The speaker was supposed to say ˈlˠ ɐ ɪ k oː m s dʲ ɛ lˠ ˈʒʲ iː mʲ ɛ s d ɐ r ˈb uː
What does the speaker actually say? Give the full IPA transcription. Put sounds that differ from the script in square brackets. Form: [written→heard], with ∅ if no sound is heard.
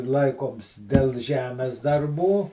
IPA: ˈlˠ ɐ ɪ k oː m s dʲ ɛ lˠ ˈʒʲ [iː→æː] mʲ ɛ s d ɐ r ˈb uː